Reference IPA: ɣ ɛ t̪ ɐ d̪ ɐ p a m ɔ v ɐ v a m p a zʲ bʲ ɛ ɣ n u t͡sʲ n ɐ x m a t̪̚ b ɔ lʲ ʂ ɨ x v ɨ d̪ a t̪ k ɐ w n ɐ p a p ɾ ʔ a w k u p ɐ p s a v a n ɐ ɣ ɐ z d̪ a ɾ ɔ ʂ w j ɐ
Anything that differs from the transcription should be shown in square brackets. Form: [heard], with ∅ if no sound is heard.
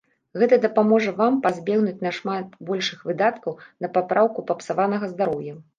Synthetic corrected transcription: ɣ ɛ t̪ ɐ d̪ ɐ p a m ɔ [ʐ] ɐ v a m p a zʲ bʲ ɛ ɣ n u t͡sʲ n ɐ [ʂ] m a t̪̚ b ɔ lʲ ʂ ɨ x v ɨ d̪ a t̪ k ɐ w n ɐ p a p ɾ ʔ a w k u p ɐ p s a v a n ɐ ɣ ɐ z d̪ a ɾ ɔ [∅] w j ɐ